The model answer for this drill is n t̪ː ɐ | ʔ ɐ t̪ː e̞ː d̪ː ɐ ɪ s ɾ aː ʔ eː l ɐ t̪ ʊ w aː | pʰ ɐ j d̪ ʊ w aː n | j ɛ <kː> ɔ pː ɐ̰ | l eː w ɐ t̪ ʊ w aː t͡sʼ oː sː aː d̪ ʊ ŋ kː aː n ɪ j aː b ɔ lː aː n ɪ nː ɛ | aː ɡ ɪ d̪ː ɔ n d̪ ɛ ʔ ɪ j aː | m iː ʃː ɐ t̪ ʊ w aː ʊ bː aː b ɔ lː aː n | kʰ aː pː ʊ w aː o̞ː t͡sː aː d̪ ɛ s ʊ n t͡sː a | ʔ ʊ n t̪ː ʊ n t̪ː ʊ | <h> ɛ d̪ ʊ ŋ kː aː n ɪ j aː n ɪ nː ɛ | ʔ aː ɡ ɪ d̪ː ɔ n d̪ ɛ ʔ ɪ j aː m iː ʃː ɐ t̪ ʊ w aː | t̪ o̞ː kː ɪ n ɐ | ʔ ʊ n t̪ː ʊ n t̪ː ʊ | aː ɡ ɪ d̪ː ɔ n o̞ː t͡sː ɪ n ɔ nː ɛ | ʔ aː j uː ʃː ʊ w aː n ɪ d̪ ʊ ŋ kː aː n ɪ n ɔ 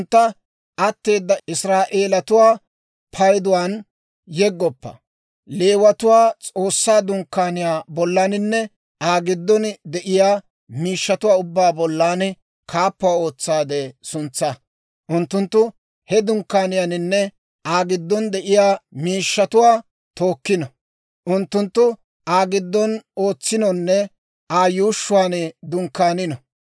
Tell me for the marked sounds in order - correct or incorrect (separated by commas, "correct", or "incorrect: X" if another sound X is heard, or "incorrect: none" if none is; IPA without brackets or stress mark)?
incorrect: ɡː, correct